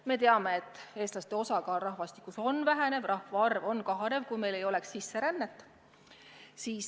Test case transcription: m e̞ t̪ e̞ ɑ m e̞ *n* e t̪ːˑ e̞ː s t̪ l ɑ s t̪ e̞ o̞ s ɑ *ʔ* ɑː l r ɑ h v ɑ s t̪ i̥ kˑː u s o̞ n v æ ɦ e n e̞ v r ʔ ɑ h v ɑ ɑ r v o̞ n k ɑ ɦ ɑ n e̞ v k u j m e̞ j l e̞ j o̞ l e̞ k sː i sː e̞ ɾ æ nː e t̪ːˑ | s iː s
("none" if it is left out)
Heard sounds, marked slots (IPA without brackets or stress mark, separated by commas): none, k